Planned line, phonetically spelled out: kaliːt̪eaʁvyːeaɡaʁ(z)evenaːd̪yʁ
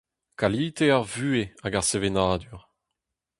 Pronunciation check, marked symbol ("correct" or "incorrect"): incorrect